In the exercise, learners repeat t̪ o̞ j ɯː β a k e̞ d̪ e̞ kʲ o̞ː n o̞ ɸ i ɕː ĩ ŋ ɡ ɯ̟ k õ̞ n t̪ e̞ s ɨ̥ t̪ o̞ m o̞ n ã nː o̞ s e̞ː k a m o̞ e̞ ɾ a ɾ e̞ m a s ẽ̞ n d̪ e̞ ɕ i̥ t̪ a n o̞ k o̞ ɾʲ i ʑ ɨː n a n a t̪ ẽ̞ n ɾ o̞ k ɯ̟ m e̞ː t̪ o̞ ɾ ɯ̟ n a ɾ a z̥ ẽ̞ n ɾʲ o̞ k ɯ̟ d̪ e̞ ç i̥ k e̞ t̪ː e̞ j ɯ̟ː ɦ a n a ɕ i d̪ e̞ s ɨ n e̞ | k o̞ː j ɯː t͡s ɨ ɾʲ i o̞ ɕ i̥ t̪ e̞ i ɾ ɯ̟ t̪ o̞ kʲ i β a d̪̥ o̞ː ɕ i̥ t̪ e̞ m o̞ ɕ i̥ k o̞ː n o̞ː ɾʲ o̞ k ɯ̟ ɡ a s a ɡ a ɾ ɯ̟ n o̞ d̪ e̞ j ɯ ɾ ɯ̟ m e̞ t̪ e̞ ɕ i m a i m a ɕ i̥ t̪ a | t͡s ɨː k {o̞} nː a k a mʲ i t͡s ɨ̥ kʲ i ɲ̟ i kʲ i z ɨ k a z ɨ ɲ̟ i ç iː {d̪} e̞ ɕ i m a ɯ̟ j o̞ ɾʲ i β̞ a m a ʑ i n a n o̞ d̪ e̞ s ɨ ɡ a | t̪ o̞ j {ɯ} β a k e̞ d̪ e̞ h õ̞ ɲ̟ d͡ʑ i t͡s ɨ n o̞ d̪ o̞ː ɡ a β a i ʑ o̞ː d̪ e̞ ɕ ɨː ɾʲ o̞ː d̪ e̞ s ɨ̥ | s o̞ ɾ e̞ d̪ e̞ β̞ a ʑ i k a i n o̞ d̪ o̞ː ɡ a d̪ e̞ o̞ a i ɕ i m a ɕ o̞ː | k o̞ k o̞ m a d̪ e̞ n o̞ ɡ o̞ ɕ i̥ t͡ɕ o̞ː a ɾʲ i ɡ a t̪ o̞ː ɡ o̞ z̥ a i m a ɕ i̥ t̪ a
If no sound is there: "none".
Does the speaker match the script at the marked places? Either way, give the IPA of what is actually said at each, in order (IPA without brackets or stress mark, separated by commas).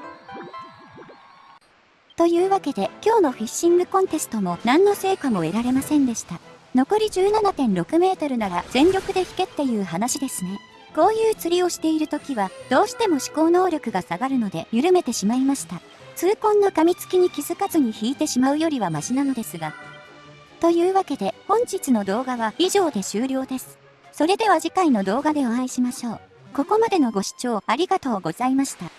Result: õ̞, t̪, ɯː